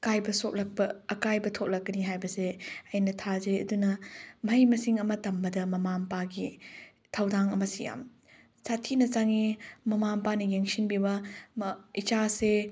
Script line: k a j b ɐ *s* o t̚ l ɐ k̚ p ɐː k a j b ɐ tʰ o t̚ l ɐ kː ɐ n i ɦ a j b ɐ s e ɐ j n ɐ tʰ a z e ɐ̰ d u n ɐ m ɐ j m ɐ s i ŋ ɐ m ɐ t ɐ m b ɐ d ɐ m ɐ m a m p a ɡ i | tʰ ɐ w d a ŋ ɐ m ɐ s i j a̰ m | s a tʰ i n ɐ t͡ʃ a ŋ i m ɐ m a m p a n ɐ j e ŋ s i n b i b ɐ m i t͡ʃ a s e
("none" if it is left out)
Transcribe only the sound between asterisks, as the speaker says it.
s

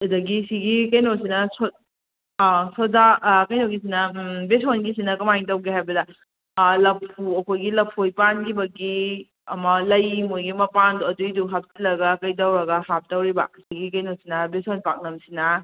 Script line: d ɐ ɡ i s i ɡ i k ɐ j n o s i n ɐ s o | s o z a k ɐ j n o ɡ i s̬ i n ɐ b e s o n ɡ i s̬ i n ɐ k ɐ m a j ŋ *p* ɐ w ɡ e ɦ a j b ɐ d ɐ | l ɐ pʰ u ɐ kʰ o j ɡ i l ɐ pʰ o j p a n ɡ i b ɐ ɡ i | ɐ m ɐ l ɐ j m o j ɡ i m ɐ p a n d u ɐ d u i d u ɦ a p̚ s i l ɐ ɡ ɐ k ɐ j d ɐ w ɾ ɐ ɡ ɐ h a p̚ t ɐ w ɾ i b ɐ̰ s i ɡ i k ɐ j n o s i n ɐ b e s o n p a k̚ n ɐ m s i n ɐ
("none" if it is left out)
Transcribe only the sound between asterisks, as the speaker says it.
t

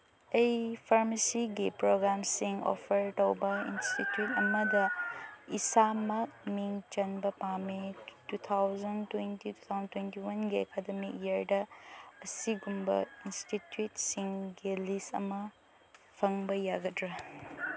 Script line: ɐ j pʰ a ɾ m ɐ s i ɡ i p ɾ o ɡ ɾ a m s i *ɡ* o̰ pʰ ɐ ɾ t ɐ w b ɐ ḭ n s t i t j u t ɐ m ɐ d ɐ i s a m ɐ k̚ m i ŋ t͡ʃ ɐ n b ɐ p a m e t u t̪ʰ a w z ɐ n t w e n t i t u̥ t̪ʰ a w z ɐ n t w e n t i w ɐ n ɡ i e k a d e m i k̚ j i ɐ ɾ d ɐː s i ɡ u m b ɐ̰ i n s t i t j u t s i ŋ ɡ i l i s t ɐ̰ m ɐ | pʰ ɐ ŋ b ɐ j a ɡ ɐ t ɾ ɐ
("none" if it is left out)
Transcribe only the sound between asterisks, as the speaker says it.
ŋ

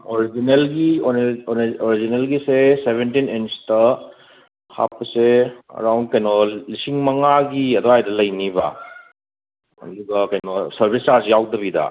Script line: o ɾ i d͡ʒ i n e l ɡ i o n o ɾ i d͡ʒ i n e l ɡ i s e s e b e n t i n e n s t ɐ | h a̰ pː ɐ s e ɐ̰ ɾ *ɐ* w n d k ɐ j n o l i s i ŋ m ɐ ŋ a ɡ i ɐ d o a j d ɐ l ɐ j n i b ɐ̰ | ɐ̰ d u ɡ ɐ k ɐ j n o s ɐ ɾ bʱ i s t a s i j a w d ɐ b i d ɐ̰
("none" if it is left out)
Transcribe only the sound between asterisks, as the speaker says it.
a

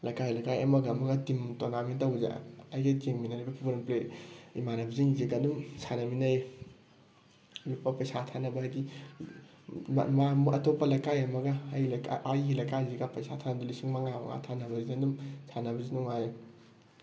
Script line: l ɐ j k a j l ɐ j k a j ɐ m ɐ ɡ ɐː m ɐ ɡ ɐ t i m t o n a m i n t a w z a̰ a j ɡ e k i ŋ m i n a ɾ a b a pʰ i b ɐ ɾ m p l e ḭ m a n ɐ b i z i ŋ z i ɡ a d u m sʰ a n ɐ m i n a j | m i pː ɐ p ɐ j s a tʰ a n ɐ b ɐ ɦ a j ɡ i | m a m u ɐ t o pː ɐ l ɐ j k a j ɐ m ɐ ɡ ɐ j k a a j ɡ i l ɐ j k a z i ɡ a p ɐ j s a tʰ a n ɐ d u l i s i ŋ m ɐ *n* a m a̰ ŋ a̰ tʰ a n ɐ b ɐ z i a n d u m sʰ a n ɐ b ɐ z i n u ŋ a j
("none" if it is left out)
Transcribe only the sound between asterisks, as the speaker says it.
ŋ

